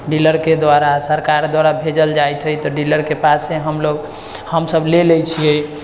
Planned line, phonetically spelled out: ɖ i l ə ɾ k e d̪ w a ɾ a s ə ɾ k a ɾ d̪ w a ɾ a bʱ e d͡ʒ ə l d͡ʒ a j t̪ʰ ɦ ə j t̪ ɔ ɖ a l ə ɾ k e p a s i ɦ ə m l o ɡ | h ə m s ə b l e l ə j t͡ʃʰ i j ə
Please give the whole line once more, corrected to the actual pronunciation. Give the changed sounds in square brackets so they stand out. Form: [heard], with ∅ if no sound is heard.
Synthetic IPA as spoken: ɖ i l ə ɾ k e d̪ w a ɾ a s ə ɾ k a ɾ d̪ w a ɾ a bʱ e d͡ʒ ə l d͡ʒ a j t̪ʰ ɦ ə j t̪ ɔ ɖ [i] l ə ɾ k e p a s [e] ɦ ə m l o ɡ | h ə m s ə b l e l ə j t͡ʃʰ i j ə